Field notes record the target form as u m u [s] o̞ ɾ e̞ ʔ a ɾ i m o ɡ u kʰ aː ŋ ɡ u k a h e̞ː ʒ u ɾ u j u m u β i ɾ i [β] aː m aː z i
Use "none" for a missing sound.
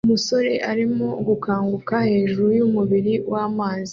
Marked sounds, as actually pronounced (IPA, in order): s, w

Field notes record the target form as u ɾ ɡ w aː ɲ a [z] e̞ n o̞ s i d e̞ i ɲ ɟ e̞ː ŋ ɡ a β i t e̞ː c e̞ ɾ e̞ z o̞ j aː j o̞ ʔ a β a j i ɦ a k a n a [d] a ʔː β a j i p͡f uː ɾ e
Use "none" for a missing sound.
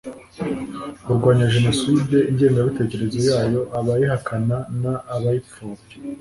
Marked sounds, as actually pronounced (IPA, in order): ʒ, n

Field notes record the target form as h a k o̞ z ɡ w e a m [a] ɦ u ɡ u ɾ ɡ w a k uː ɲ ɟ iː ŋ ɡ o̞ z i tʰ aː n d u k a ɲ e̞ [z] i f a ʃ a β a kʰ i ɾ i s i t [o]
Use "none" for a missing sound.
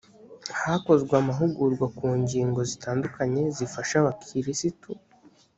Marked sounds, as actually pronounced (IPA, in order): a, z, u

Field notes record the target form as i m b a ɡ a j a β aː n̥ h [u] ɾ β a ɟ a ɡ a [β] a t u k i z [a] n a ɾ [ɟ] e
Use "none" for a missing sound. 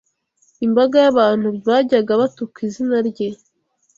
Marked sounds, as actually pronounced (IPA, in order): u, β, i, ɟ

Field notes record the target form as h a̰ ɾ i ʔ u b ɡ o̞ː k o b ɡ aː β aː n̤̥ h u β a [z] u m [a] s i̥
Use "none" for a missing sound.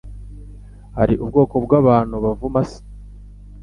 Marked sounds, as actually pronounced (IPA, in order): v, a

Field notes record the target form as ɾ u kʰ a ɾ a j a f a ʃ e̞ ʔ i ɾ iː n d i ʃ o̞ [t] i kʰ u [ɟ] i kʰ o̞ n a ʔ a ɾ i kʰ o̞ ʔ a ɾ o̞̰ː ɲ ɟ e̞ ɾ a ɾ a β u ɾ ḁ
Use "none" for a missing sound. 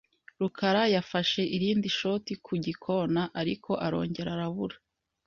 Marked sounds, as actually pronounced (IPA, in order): t, ɟ

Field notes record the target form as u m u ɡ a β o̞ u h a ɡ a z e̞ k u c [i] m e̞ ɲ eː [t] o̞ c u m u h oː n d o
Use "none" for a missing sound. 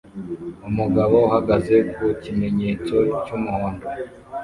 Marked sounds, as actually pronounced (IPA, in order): i, t͡s

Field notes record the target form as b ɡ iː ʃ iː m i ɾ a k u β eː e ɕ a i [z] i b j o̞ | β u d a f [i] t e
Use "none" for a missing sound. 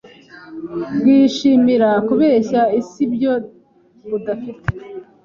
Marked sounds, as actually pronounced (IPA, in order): s, i

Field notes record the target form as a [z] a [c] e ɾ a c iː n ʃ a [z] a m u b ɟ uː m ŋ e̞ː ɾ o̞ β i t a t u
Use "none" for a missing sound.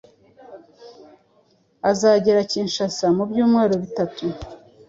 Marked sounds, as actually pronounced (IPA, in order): z, ɟ, s

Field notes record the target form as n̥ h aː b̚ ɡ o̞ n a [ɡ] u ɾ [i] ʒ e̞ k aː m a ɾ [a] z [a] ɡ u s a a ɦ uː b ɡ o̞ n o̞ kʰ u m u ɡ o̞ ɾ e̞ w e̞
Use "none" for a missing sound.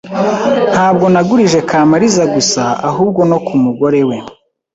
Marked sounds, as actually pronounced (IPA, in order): ɡ, i, i, a

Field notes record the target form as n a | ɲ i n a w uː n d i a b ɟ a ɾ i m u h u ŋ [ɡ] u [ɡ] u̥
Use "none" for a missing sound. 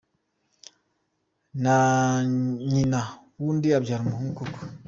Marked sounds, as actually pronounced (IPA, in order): k, k

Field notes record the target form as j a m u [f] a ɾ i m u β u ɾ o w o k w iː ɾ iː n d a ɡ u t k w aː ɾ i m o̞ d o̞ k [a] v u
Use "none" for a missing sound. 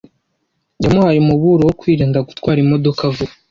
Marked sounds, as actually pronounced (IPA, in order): h, a

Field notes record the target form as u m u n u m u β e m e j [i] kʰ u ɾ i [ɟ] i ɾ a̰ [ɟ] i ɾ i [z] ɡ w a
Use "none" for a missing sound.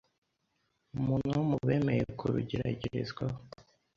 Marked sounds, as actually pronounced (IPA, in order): e, ɟ, ɟ, z

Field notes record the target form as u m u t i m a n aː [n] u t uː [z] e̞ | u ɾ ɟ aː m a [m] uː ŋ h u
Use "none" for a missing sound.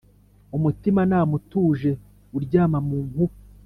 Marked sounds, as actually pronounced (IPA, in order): m, ʒ, m

